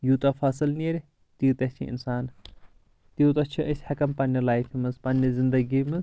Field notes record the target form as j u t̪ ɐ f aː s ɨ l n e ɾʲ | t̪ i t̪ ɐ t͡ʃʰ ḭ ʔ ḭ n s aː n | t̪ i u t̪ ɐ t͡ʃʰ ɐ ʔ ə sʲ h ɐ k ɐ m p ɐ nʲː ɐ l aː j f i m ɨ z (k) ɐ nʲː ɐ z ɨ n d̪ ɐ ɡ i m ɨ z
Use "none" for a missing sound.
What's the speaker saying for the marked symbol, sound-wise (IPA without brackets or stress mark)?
p